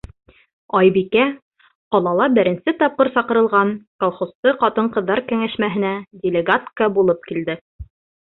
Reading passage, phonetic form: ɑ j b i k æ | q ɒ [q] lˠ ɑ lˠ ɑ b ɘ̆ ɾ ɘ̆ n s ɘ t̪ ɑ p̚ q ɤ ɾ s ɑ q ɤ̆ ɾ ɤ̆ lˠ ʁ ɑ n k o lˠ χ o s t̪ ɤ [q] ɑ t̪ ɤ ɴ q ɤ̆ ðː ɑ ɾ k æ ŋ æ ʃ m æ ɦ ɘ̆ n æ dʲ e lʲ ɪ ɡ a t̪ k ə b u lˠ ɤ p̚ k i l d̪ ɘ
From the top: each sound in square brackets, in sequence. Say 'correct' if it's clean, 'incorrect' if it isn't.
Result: incorrect, correct

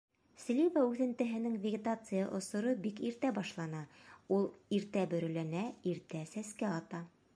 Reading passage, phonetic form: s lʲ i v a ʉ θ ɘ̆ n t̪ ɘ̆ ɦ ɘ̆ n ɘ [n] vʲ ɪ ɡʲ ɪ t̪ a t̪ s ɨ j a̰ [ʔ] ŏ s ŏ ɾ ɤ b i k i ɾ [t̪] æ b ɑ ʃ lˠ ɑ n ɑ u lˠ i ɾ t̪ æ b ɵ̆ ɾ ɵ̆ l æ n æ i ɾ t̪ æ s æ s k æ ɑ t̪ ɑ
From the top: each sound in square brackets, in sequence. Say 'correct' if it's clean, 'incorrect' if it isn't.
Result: incorrect, correct, correct

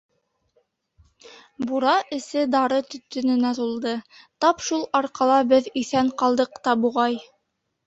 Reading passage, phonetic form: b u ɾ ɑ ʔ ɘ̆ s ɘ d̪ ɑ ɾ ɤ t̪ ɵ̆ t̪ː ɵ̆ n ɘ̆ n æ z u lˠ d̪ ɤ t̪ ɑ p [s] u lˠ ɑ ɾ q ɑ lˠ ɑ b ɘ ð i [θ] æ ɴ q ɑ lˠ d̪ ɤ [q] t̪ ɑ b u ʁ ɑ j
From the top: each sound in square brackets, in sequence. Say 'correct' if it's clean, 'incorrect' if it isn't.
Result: incorrect, correct, correct

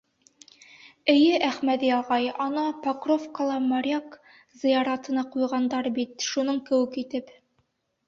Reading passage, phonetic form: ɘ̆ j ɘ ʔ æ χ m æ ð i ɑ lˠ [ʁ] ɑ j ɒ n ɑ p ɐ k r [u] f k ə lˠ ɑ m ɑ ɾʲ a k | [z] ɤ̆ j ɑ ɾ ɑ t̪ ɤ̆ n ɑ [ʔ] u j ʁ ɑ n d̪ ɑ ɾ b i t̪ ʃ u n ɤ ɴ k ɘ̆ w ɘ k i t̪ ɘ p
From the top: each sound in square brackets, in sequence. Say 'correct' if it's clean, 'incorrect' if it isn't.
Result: correct, incorrect, correct, incorrect

